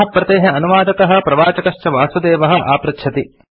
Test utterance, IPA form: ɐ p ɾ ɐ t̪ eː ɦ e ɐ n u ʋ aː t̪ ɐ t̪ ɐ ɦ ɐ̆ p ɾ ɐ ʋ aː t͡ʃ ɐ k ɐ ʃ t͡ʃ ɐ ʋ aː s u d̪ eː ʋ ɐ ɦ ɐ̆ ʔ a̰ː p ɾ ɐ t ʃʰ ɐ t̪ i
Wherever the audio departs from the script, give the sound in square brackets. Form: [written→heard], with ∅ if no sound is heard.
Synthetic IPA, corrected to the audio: ɐ p ɾ ɐ t̪ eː ɦ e ɐ n u ʋ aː [t̪→d̪] ɐ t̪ ɐ ɦ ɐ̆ p ɾ ɐ ʋ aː t͡ʃ ɐ k ɐ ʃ t͡ʃ ɐ ʋ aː s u d̪ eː ʋ ɐ ɦ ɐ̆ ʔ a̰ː p ɾ ɐ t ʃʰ ɐ t̪ i

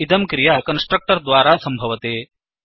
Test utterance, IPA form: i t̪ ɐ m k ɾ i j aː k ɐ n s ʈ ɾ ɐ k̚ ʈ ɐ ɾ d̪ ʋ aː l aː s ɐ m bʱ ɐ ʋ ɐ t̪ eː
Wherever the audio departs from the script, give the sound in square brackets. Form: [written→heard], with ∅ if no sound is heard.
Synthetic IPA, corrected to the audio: i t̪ ɐ m k ɾ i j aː k ɐ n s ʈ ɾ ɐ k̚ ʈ ɐ ɾ d̪ ʋ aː [l→ɾ] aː s ɐ m bʱ ɐ ʋ ɐ t̪ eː

